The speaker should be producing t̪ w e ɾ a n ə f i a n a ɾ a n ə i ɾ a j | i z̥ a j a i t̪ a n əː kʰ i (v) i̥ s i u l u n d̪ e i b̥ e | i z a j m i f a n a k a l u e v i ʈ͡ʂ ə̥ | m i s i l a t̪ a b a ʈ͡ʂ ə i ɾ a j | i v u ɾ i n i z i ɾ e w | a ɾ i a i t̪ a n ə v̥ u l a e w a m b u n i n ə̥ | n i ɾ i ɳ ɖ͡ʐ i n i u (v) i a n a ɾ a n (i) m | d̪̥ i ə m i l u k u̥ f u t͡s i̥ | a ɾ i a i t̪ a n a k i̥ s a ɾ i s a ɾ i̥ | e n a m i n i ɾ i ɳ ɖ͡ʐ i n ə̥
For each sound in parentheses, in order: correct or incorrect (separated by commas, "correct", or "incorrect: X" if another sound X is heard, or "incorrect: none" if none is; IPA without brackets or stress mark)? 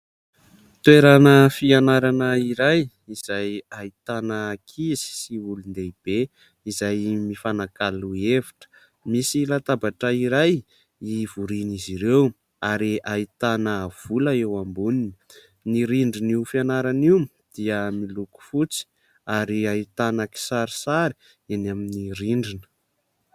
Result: incorrect: z, incorrect: f, correct